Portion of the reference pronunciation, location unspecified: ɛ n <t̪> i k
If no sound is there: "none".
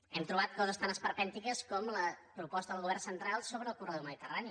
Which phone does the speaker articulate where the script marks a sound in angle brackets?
t̪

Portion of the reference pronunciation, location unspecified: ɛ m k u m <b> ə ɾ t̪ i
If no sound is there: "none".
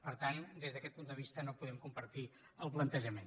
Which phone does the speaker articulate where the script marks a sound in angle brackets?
p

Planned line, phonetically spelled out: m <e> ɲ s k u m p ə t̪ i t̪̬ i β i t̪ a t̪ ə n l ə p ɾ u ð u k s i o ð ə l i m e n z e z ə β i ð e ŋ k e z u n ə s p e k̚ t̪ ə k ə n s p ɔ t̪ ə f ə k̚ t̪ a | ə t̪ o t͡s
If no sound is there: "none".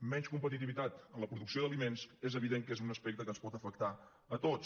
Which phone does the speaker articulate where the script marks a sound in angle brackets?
ɛ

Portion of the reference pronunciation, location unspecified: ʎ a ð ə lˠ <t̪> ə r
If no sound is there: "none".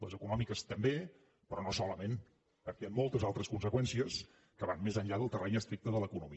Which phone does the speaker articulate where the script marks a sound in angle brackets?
t̪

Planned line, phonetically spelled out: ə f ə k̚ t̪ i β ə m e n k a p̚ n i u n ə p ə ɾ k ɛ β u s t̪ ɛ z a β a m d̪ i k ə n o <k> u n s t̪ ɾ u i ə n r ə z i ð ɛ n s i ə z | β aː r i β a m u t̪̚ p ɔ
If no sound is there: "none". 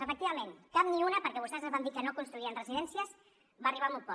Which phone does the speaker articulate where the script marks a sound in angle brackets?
k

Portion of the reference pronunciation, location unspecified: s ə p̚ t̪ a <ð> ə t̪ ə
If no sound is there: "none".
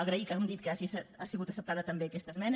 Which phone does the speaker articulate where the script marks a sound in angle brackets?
ð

